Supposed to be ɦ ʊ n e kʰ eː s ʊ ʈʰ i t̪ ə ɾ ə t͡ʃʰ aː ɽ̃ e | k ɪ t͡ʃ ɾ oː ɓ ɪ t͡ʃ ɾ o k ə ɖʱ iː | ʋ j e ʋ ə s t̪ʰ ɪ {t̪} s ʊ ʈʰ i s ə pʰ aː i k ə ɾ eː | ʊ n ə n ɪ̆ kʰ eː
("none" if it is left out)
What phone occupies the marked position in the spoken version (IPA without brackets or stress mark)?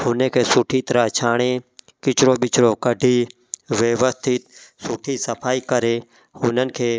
t̪